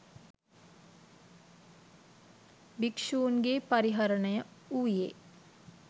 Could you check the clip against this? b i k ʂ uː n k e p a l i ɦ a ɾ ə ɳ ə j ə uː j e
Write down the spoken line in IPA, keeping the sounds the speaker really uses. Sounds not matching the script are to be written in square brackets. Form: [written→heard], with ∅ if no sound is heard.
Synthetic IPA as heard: b i k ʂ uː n [k→ɡ] e p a [l→ɾ] i ɦ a ɾ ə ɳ ə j ə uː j e